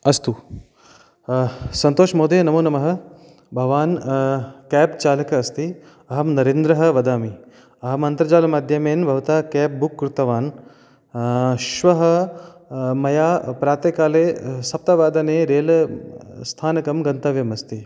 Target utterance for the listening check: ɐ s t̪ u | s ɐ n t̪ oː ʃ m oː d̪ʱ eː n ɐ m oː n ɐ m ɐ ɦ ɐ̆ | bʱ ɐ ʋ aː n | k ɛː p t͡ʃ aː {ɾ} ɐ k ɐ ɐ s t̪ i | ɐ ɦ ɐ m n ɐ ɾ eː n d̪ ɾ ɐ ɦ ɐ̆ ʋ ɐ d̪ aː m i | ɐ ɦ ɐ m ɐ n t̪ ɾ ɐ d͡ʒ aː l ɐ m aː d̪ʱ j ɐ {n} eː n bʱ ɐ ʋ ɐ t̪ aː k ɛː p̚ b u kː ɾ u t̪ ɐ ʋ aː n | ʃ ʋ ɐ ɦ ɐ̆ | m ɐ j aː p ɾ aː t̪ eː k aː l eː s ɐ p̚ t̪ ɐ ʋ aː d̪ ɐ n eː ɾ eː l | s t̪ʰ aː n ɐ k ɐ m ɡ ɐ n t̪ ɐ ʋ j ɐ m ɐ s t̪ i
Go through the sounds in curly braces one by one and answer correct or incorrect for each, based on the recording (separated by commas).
incorrect, incorrect